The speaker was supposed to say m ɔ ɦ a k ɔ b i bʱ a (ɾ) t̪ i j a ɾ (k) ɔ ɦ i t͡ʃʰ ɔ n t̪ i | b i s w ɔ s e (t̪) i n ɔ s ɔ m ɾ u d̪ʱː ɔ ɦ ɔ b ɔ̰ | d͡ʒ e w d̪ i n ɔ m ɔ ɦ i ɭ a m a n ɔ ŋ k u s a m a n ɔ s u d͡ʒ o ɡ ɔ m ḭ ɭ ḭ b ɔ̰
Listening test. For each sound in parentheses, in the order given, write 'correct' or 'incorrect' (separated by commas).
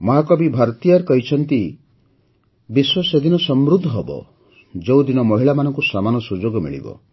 correct, correct, incorrect